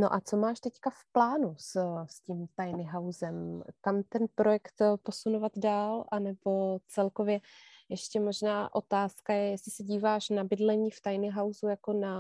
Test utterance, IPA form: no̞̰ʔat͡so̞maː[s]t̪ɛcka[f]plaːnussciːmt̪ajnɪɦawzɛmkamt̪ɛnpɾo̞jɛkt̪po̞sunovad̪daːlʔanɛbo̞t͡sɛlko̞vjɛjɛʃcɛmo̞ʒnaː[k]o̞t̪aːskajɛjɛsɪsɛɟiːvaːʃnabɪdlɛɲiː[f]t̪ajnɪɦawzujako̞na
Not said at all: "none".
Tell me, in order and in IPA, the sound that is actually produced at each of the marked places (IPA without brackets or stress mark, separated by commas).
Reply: ʃ, f, ʔ, f